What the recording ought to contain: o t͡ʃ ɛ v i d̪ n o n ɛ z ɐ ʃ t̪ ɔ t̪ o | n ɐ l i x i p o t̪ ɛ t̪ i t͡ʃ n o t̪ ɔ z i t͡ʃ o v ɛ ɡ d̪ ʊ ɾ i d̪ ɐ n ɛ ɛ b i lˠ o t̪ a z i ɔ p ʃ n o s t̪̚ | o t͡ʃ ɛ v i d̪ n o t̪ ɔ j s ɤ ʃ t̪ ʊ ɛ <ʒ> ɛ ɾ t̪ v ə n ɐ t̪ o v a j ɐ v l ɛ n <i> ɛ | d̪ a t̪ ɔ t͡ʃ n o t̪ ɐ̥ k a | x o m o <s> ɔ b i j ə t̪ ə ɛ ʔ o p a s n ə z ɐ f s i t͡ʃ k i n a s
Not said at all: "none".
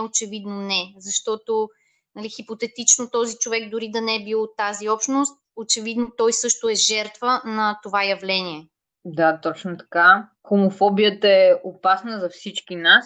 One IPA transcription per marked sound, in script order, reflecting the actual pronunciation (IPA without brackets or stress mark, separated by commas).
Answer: ʒ, i, f